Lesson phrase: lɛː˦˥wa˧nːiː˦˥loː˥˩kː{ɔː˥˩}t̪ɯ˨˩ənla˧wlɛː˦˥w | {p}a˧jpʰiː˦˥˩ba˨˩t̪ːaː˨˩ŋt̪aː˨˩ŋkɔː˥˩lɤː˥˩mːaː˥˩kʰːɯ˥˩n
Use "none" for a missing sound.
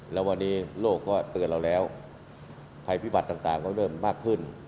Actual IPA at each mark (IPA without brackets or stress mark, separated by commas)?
ɔː˥˩, pʰ